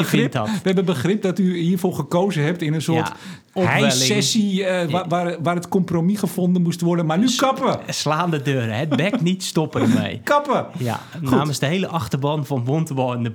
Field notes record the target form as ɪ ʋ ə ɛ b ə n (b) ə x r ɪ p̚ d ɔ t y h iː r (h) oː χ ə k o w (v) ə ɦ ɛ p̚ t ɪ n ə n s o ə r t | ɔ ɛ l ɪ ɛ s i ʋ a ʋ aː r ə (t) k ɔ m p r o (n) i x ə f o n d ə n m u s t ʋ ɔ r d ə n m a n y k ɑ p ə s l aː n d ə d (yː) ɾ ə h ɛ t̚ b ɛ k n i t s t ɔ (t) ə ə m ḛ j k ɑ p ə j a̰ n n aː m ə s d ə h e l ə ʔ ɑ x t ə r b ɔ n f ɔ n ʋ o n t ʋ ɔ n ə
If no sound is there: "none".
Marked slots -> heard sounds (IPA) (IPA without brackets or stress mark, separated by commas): b, f, z, t, m, øː, p